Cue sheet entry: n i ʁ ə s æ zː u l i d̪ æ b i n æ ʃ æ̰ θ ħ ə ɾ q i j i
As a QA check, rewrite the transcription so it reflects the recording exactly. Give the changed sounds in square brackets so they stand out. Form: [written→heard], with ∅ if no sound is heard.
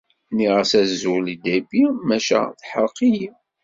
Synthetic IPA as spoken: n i ʁ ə s æ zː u l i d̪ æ b i [n→m] æ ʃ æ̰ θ ħ ə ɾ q i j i